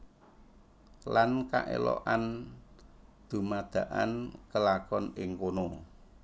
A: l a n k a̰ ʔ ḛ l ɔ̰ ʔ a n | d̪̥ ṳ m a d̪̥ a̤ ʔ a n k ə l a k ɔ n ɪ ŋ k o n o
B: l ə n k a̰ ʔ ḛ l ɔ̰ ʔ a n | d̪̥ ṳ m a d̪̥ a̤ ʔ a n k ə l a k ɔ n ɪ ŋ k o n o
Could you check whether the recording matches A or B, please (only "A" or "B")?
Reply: A